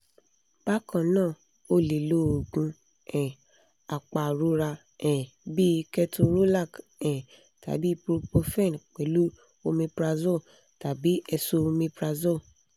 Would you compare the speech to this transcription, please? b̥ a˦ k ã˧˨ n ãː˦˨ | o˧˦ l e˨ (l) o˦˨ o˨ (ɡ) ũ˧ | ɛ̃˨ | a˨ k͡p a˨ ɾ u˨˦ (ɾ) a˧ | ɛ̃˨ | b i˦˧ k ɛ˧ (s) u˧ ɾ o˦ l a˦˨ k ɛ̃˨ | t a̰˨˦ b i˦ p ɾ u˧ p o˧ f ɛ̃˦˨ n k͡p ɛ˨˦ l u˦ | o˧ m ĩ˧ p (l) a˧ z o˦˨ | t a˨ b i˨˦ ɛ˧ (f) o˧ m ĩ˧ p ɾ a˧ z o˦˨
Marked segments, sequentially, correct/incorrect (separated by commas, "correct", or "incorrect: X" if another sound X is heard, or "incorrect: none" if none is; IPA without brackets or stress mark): correct, correct, correct, incorrect: t, incorrect: ɾ, incorrect: s